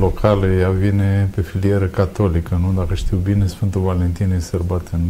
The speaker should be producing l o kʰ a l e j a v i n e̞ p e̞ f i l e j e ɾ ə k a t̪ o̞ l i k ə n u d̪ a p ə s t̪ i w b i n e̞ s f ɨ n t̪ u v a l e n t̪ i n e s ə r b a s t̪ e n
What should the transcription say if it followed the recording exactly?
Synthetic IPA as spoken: l o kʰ a l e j a v i n e̞ p e̞ f i l i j e ɾ ə k a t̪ o̞ l i k ə n u d̪ a k ə ʃ t̪ i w b i n e̞ s f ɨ n t̪ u v a l e n t̪ i n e s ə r b a t̪ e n